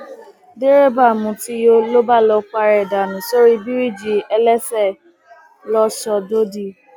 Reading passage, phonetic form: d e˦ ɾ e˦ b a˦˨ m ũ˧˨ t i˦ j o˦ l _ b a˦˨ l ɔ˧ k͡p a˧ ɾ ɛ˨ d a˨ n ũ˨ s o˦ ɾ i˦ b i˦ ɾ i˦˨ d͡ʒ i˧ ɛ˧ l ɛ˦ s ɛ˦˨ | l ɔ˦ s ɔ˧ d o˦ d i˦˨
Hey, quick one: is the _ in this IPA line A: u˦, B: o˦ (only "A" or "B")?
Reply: B